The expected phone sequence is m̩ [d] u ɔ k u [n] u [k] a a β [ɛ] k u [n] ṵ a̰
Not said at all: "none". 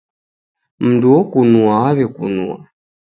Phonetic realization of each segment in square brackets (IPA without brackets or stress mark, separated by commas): d, n, none, ɛ, n